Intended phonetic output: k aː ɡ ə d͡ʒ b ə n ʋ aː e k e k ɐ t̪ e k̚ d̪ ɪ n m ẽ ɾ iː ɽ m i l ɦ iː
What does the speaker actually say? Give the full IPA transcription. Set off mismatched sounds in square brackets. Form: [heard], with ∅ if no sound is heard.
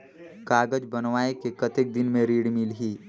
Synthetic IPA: k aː ɡ ə d͡ʒ b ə n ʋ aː e k e k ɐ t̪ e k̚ d̪ ɪ n m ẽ ɾ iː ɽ m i l ɦ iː